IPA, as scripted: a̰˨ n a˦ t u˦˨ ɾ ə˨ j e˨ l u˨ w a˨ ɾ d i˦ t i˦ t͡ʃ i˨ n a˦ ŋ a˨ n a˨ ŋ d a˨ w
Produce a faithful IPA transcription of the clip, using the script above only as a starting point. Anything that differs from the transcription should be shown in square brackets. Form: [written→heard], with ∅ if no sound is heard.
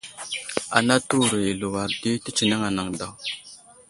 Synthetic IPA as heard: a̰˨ n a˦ t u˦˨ ɾ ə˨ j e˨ l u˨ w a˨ ɾ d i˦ t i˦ t͡ʃ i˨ n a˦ ŋ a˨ n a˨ ŋ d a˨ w